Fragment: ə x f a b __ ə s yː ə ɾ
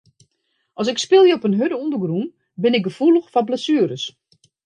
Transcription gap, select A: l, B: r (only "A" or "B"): A